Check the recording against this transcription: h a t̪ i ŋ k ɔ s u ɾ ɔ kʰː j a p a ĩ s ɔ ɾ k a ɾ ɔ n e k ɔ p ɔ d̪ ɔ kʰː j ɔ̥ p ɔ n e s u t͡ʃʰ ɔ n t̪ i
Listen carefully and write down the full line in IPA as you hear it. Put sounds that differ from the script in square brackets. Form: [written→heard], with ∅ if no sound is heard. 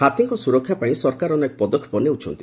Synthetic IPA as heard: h a t̪ i ŋ k ɔ s u ɾ ɔ kʰː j a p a ĩ s ɔ ɾ k a ɾ ɔ n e k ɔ p ɔ d̪ ɔ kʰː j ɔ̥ p ɔ n e [s→∅] u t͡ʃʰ ɔ n t̪ i